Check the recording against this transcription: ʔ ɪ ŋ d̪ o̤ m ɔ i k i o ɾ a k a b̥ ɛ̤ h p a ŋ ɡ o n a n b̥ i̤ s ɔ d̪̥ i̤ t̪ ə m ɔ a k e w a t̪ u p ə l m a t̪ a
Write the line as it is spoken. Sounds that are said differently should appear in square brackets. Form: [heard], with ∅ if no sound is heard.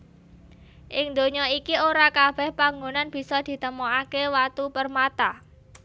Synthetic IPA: ʔ ɪ ŋ d̪ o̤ [ɲ] ɔ i k i o ɾ a k a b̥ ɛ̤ h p a ŋ ɡ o n a n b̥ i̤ s ɔ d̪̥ i̤ t̪ ə m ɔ a k e w a t̪ u p ə [r] m a t̪ a

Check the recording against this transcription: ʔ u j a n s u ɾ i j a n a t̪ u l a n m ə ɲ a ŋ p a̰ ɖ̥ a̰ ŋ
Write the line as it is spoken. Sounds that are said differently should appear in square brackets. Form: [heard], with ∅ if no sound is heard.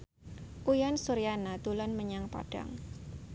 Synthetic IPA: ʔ u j a n s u ɾ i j a n a t̪ u l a n m ə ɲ a ŋ p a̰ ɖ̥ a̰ ŋ

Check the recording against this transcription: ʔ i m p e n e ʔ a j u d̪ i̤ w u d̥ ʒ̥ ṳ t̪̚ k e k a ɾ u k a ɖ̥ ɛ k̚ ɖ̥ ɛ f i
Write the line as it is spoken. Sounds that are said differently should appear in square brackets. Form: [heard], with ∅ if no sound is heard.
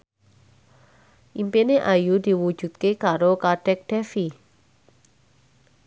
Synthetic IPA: ʔ i m p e n e ʔ a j u d̪ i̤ w u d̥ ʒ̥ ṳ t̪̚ k e k a ɾ [o] k a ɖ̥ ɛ k̚ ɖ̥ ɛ f i

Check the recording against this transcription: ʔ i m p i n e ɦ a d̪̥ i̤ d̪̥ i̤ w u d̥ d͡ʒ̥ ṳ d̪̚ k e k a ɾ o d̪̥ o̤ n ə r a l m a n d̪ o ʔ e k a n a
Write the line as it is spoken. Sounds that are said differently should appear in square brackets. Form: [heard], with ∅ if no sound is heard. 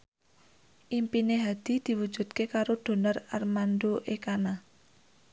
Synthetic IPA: ʔ i m p i n e ɦ a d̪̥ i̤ d̪̥ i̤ w u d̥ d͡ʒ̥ ṳ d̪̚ k e k a ɾ o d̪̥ o̤ n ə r a [r] m a n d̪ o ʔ e k a n a

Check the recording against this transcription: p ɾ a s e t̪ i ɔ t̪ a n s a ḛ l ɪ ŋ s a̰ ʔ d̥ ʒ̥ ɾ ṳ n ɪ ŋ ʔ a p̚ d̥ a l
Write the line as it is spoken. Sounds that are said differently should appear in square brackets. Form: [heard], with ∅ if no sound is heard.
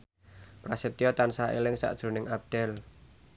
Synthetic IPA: p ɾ a s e t̪ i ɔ t̪ a n s a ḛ l ɪ ŋ s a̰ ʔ d̥ ʒ̥ ɾ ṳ n ɪ ŋ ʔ a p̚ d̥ [ɛ] l

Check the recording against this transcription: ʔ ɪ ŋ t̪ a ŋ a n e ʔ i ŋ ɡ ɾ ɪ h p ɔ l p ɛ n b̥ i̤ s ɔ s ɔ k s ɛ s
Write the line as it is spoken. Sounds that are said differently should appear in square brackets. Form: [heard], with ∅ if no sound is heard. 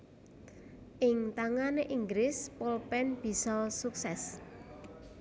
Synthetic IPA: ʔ ɪ ŋ t̪ a ŋ a n e ʔ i ŋ ɡ ɾ ɪ [s] p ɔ l p ɛ n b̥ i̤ s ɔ s [u] k s ɛ s

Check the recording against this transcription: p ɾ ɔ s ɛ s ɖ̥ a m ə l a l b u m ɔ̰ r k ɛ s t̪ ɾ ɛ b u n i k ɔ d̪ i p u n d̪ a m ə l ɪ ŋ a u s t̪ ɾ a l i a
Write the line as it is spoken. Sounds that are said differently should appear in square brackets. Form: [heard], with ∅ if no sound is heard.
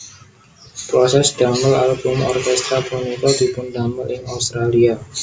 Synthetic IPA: p ɾ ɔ s ɛ s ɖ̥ a m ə l a l b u m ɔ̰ r k ɛ s t̪ ɾ [a] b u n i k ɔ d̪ i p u n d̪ a m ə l ɪ ŋ a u s t̪ ɾ a l i a

